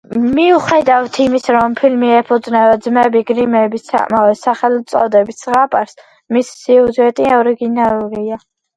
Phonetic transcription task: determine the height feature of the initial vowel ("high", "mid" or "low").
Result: high